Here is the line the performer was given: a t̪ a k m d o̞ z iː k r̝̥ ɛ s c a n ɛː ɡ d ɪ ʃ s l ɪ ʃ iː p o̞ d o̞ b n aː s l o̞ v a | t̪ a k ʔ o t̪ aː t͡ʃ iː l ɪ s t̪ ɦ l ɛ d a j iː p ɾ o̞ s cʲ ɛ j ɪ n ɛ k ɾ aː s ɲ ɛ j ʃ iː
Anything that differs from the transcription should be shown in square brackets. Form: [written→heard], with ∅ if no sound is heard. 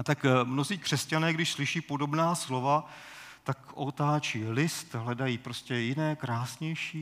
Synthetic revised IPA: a t̪ a k m [d→n] o̞ z iː k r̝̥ ɛ s c a n ɛː ɡ d ɪ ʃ s l ɪ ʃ iː p o̞ d o̞ b n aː s l o̞ v a | t̪ a k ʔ o t̪ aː t͡ʃ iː l ɪ s t̪ ɦ l ɛ d a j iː p ɾ o̞ s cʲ ɛ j ɪ n [ɛ→ɛː] k ɾ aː s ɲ ɛ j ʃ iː